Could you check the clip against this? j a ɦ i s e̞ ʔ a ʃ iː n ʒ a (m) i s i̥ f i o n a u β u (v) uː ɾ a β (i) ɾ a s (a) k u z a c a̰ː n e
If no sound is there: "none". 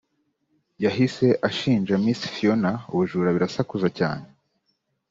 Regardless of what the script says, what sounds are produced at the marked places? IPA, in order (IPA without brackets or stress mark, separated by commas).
m, ʒ, i, a